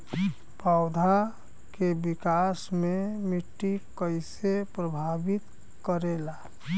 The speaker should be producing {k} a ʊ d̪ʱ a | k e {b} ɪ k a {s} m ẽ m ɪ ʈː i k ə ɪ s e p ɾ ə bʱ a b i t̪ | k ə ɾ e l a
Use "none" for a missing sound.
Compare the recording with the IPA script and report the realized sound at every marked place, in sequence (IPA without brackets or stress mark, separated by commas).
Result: p, b, s